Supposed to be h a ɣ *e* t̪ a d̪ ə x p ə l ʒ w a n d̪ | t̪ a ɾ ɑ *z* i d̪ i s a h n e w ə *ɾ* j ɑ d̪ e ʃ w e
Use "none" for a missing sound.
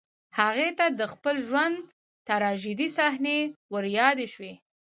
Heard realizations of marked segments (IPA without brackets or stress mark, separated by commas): e, ʒ, ɾ